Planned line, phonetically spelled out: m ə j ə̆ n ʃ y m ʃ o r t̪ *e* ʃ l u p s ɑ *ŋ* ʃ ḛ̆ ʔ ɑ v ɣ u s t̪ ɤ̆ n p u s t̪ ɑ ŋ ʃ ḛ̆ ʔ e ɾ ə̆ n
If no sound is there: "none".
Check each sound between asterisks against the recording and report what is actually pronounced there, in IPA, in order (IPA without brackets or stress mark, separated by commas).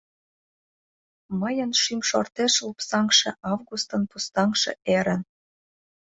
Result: e, ŋ